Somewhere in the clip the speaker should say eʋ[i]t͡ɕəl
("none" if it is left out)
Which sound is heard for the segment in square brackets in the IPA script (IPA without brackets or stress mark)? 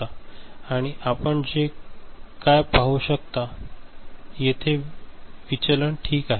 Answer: i